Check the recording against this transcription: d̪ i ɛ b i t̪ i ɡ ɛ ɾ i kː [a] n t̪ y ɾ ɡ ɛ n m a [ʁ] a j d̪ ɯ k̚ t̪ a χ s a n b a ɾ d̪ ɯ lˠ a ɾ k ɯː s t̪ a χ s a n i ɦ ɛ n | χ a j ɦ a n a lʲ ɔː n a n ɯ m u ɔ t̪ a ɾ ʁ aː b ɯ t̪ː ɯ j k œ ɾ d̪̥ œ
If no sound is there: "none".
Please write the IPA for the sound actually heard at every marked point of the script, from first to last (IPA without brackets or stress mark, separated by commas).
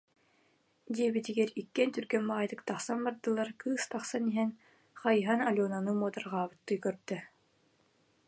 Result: ɛ, ʁ